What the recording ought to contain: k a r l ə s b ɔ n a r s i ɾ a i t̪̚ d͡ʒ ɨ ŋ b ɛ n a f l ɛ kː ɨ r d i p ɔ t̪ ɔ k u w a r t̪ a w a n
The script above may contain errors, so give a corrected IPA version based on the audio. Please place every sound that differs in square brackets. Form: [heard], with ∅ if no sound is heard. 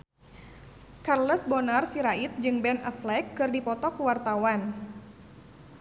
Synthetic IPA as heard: k a r l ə s b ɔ n a r s i ɾ a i t̪̚ d͡ʒ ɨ ŋ b ɛ n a f l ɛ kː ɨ r d i p ɔ t̪ ɔ k u w a r t̪ a w a n